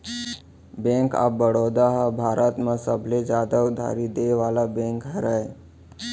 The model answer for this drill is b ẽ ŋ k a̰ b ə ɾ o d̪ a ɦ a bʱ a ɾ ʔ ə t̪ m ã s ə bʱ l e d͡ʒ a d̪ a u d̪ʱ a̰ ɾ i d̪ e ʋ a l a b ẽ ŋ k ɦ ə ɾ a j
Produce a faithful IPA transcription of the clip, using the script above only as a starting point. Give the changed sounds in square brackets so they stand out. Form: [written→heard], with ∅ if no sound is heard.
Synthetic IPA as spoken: b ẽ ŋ k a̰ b ə [ɾ→ɽ] o d̪ a ɦ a bʱ a ɾ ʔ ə t̪ m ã s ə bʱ l e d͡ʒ a d̪ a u d̪ʱ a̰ ɾ i d̪ e ʋ a l a b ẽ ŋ k ɦ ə ɾ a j